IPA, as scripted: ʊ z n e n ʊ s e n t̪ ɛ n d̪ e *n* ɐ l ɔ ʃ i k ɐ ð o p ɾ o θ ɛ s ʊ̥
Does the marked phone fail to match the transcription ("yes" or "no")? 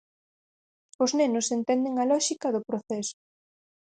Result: yes